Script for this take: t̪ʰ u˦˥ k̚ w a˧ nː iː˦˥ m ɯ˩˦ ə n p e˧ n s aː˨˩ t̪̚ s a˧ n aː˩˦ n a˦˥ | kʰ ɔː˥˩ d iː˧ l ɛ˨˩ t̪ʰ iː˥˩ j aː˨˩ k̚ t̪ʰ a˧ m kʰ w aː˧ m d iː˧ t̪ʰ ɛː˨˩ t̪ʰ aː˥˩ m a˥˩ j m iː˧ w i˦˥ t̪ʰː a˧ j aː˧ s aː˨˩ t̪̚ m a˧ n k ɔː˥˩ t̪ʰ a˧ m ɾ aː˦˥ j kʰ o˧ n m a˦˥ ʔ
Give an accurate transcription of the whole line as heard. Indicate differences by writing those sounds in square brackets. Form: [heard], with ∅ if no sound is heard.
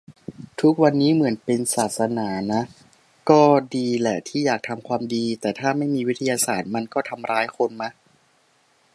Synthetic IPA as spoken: t̪ʰ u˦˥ k̚ w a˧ nː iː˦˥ m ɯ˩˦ ə n p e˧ n s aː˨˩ t̪̚ s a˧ n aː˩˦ n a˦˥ | [k] ɔː˥˩ d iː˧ l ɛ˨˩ t̪ʰ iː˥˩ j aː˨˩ k̚ t̪ʰ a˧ m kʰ w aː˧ m d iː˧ [t̪] ɛː˨˩ t̪ʰ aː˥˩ m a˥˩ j m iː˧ w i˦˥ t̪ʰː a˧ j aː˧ s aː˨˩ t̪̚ m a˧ n k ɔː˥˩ t̪ʰ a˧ m ɾ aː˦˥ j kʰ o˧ n m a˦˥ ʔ